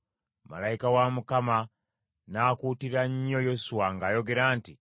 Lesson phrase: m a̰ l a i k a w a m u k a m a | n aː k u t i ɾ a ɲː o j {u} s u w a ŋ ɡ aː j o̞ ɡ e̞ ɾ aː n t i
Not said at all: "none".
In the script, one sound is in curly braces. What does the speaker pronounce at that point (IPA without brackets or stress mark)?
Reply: o